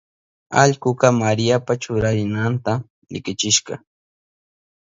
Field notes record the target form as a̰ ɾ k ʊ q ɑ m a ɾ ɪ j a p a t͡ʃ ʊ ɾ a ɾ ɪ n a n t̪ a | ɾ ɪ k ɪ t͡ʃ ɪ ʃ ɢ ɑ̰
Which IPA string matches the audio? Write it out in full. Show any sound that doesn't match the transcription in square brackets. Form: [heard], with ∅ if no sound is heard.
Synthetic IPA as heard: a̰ [ʎ] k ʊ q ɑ m a ɾ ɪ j a p a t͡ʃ ʊ ɾ a ɾ ɪ n a n t̪ a | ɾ ɪ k ɪ t͡ʃ ɪ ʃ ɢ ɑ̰